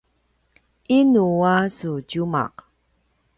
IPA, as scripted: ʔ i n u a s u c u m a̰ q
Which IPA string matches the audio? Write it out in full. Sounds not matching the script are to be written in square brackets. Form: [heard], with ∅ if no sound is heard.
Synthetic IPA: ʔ i n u a s u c u m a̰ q